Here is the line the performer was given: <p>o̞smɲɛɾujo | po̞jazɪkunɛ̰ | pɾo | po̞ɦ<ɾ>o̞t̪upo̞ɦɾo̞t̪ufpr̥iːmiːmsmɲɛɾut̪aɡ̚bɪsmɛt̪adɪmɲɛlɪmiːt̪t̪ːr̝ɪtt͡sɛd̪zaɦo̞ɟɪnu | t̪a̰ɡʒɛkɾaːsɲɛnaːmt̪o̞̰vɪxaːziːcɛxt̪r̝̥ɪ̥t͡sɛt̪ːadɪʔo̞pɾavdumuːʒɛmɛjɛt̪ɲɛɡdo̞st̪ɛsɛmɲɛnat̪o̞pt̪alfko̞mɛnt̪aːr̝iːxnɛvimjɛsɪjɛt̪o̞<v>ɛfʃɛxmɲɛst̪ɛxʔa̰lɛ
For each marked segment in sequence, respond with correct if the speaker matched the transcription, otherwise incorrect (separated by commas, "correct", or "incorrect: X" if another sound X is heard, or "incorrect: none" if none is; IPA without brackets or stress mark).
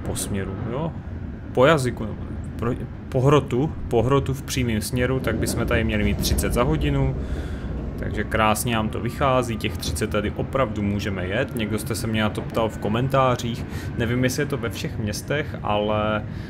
correct, correct, correct